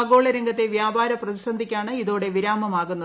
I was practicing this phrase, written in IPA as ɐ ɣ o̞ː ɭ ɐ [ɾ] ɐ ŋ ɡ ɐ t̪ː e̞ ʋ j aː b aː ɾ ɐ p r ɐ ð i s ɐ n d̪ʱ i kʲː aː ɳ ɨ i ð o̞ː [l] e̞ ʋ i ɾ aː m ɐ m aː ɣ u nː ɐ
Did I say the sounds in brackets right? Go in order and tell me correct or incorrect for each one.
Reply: correct, incorrect: ɽ

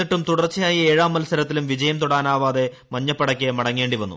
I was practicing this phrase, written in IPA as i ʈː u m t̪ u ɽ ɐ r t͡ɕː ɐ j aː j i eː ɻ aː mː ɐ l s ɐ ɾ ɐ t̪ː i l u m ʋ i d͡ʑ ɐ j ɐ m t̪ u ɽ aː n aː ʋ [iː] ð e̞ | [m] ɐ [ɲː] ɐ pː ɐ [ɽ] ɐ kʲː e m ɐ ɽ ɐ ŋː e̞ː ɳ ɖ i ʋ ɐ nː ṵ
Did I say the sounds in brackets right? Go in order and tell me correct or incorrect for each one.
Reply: incorrect: aː, correct, correct, correct

